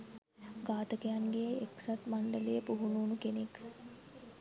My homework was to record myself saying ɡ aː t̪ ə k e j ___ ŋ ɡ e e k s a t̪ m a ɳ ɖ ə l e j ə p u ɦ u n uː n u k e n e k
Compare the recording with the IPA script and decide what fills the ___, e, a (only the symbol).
a